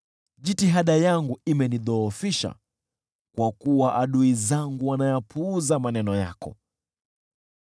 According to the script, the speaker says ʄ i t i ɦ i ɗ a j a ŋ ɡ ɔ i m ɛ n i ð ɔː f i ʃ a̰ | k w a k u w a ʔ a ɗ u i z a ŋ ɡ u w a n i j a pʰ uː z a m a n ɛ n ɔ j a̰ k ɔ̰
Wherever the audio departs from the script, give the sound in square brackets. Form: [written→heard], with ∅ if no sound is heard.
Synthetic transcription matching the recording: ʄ i t i ɦ [i→a] ɗ a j a ŋ ɡ [ɔ→u] i m ɛ n i ð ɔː f i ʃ a̰ | k w a k u w a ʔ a ɗ u i z a ŋ ɡ u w a n [i→a] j a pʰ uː z a m a n ɛ n ɔ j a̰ k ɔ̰